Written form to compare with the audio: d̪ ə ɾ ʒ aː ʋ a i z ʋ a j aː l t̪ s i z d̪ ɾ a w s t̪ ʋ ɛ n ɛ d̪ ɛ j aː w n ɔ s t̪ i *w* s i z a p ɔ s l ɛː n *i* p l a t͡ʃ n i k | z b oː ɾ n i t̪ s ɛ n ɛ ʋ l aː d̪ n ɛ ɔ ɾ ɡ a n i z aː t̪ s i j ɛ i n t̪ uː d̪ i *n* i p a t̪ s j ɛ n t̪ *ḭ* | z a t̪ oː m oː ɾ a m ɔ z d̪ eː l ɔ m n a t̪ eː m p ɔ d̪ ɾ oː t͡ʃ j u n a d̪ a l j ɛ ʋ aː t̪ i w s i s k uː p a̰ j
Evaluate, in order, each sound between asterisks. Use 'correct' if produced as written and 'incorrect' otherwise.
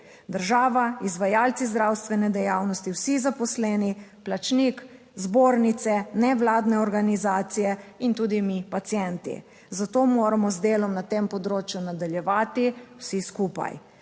correct, correct, incorrect, correct

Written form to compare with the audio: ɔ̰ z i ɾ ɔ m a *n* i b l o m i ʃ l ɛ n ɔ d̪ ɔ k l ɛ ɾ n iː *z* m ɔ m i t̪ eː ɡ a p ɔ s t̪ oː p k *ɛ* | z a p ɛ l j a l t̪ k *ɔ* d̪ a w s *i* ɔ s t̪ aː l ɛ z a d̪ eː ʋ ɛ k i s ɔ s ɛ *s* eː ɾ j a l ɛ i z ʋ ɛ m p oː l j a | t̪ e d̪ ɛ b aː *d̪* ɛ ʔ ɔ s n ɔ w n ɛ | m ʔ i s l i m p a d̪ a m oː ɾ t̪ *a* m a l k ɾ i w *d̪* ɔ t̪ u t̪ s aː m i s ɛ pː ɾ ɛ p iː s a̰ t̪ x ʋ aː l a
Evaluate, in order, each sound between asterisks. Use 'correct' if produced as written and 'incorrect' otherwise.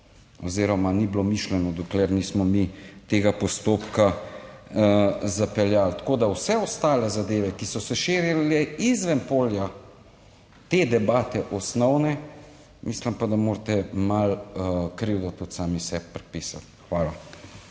correct, incorrect, incorrect, incorrect, incorrect, incorrect, incorrect, incorrect, correct

